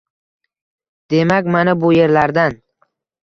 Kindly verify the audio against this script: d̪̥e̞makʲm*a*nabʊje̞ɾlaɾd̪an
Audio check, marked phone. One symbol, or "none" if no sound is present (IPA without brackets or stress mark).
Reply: a